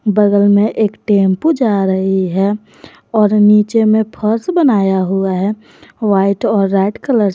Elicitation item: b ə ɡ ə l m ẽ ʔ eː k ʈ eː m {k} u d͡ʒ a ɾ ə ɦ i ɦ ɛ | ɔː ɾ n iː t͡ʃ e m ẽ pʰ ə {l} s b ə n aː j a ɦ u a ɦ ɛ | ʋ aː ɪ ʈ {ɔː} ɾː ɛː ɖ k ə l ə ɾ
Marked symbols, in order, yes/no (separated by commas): no, no, yes